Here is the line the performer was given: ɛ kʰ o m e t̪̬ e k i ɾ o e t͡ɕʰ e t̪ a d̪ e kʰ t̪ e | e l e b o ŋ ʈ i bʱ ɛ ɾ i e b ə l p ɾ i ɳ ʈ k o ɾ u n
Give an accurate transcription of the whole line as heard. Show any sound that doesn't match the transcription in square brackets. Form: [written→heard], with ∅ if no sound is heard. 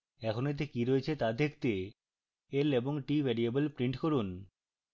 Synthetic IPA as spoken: ɛ kʰ o [m→n] e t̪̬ e k i ɾ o e t͡ɕʰ e t̪ a d̪ e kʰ t̪ e | e l e b o ŋ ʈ i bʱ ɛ ɾ i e b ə l p ɾ i ɳ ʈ k o ɾ u n